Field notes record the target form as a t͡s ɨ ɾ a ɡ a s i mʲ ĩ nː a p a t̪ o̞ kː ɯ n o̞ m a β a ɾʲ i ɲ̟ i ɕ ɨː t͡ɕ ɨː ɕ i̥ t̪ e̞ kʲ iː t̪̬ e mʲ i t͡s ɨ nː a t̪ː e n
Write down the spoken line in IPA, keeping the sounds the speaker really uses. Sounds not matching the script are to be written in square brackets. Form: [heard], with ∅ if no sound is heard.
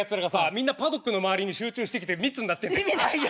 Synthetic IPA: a t͡s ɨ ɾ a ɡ a s [a] mʲ ĩ nː a p a [d̪] o̞ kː ɯ n o̞ m a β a ɾʲ i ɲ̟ i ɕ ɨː t͡ɕ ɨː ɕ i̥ t̪ e̞ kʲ [i] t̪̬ e mʲ i t͡s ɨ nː a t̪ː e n